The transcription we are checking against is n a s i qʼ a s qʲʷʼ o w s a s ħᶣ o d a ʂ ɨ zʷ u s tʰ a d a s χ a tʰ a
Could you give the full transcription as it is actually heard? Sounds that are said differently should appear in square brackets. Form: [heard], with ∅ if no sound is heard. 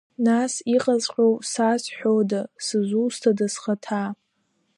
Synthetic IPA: n a s i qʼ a [z] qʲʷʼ o w s a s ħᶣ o d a [s] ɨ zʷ u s tʰ a d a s χ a tʰ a